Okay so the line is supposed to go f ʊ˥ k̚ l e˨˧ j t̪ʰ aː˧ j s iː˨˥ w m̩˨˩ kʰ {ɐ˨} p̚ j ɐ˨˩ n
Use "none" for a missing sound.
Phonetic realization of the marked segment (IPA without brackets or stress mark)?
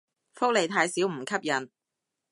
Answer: ɐ˥